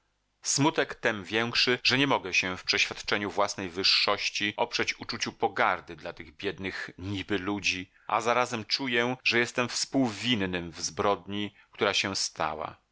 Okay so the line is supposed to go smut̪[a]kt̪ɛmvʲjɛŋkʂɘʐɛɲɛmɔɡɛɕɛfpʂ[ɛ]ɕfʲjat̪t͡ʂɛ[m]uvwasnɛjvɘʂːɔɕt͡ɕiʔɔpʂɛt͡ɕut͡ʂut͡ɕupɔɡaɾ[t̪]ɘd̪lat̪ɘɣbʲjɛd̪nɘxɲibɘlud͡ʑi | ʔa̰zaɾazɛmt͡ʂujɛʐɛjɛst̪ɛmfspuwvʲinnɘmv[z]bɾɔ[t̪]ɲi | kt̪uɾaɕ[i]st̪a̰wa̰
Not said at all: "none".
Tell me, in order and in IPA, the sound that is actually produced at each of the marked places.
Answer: ɛ, ɛ, ɲ, d̪, z, d̪, ɛ

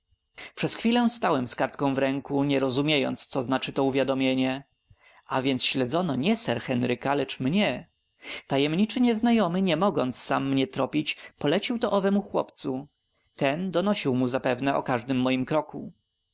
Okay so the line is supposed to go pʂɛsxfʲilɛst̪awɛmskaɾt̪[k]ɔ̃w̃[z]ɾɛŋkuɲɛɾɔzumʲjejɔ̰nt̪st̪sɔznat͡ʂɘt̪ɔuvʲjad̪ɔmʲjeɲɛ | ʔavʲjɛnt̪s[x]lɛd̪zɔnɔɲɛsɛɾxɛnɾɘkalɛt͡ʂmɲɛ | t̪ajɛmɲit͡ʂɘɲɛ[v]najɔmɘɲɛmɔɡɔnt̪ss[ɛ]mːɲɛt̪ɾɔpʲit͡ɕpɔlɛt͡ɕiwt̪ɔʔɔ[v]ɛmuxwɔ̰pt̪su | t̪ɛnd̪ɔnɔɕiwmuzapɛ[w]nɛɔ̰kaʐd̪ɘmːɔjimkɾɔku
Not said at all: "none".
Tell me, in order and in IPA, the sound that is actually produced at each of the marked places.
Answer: k, v, ɕ, z, a, v, v

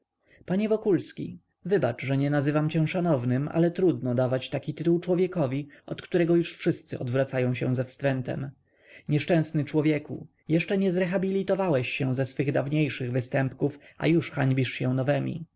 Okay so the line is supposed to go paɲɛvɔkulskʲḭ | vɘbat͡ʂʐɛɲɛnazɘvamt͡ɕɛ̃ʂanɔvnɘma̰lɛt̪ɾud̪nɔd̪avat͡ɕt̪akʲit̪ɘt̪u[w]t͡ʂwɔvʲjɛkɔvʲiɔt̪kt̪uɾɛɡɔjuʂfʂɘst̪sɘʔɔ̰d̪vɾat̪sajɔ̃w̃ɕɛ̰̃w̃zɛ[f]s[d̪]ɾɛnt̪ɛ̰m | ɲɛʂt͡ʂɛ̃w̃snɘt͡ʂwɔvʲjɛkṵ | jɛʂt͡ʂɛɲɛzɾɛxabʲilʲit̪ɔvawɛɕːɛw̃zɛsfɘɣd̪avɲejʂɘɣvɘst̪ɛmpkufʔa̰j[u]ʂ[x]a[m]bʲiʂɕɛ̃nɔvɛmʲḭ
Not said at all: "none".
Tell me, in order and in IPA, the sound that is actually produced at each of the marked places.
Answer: w, f, t̪, u, x, ɲ

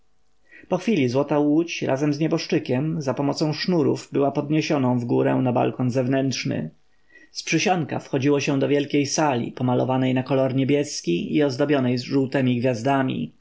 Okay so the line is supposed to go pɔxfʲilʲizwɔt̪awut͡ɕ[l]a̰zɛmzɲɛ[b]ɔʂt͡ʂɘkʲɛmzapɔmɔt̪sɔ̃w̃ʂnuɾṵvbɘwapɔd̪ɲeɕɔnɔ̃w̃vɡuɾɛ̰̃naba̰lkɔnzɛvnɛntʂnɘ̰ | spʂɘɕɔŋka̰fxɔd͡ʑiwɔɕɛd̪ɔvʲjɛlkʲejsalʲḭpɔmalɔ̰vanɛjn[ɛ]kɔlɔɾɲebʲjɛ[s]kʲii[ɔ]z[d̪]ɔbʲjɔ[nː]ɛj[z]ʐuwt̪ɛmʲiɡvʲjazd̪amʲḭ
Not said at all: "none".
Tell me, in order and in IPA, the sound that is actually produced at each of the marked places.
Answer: ɾ, b, a, s, ɔ, d̪, n, z

